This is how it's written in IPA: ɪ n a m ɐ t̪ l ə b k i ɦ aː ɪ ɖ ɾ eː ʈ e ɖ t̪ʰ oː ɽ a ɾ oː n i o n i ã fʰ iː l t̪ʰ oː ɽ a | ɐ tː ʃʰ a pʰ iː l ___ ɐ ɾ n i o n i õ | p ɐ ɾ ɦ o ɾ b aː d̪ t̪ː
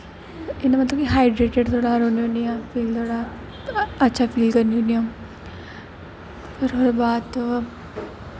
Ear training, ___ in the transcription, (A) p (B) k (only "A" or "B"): B